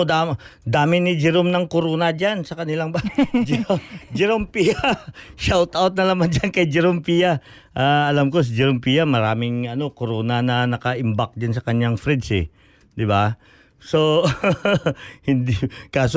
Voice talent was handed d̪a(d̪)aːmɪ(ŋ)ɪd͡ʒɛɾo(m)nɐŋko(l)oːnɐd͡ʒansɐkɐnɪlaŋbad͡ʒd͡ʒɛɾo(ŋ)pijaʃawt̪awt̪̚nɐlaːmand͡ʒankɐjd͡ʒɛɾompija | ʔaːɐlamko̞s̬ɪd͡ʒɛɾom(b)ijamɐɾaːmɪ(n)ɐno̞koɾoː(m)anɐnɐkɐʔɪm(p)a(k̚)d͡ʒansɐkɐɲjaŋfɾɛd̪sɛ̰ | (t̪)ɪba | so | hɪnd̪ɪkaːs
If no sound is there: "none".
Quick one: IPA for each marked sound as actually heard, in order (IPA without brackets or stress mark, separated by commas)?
d̪, n, m, ɾ, m, p, ŋ, n, b, k̚, d̪